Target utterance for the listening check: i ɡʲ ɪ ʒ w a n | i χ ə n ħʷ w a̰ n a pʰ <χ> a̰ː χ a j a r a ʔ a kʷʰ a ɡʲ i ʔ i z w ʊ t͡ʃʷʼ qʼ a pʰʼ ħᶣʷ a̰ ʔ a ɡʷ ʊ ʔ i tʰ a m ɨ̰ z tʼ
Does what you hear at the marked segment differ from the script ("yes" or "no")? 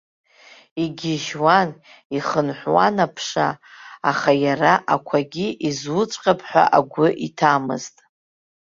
yes